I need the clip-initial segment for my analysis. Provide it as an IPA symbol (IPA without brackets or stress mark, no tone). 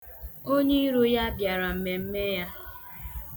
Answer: o